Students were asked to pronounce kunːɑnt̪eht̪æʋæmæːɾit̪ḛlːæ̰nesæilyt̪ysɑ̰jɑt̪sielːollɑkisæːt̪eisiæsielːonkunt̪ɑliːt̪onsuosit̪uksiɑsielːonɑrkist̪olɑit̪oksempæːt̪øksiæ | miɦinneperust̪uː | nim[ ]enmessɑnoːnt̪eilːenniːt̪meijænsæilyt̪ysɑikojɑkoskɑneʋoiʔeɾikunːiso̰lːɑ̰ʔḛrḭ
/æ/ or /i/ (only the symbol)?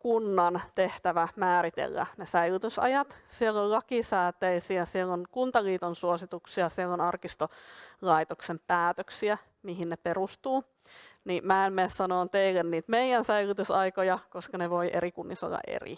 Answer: æ